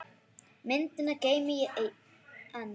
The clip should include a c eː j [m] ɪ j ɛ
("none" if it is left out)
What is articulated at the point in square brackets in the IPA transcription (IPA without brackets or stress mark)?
m